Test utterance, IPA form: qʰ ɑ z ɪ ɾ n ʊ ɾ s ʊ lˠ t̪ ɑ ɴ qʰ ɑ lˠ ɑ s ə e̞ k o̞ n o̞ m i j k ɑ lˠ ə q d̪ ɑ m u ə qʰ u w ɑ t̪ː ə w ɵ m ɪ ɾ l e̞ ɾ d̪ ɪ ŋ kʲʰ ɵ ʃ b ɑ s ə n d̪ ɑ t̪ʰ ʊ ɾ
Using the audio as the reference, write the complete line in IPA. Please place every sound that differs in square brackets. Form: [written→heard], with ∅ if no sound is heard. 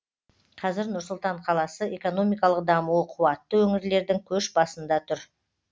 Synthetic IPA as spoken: qʰ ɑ z ɪ ɾ n ʊ ɾ s ʊ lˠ t̪ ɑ ɴ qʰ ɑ lˠ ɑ s ə e̞ k o̞ n o̞ m i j k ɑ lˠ ə q d̪ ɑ m u ə qʰ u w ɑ t̪ː ə w ɵ [m→ŋ] ɪ ɾ l e̞ ɾ d̪ ɪ ŋ kʲʰ ɵ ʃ b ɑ s ə n d̪ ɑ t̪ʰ ʊ ɾ

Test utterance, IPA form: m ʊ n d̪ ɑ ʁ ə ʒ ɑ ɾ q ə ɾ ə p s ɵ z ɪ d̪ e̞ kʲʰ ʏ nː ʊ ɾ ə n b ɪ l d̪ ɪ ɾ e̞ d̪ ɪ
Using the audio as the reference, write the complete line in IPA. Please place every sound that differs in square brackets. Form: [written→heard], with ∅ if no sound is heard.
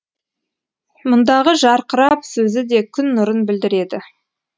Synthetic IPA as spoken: m ʊ n d̪ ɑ ʁ ə ʒ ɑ ɾ q ə ɾ [ə→ɑ] p s ɵ z ɪ d̪ e̞ kʲʰ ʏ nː ʊ ɾ ə n b ɪ l d̪ ɪ ɾ e̞ d̪ ɪ

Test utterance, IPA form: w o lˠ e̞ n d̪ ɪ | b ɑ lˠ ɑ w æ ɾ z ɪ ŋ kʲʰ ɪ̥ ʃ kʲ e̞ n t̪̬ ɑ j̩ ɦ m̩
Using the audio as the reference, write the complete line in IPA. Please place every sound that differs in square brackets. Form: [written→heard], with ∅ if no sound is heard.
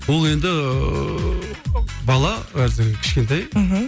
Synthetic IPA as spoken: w o lˠ e̞ n d̪ ɪ | b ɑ lˠ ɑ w æ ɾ z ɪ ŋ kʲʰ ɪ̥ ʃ kʲ e̞ n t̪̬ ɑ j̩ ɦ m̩

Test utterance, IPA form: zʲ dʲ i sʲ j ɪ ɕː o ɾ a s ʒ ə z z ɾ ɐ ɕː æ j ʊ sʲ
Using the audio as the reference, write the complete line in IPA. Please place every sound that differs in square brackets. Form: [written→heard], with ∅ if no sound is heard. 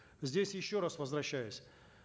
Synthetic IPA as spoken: zʲ dʲ [i→e] sʲ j ɪ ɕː o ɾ a s [ʒ→v] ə z [z→v] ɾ ɐ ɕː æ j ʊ sʲ

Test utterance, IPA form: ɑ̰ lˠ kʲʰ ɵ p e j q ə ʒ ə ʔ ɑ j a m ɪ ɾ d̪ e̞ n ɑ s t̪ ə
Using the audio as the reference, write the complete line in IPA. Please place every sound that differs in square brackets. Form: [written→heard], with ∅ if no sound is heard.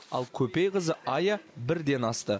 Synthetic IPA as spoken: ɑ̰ lˠ kʲʰ ɵ p e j q ə [ʒ→z] ə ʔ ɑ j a [m→b] ɪ ɾ d̪ e̞ n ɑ s t̪ ə

